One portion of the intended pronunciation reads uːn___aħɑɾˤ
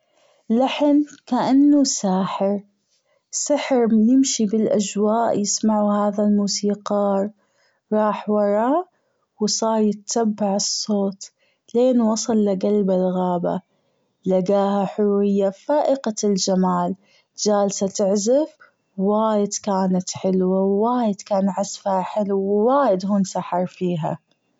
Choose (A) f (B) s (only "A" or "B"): B